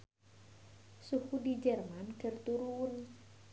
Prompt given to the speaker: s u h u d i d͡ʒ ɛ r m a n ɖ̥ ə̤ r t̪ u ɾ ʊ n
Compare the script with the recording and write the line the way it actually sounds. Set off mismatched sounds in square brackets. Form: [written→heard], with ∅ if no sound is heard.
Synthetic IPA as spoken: s u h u d i d͡ʒ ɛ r m a n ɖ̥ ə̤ r t̪ u ɾ [ʊ→u] n